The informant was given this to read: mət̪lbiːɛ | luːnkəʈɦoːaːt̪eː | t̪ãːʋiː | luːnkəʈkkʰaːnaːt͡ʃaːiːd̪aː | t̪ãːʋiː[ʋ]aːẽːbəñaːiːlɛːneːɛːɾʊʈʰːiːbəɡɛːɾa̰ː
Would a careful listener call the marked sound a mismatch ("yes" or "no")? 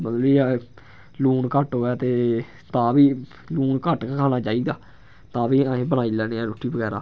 yes